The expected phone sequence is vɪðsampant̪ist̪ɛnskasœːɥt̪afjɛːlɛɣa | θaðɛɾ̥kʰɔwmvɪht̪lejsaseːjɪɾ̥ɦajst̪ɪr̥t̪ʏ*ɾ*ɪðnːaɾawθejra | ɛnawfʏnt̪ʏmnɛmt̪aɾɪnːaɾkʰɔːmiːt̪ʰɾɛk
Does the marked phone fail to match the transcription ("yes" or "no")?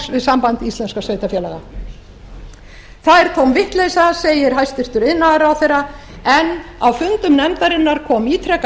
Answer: no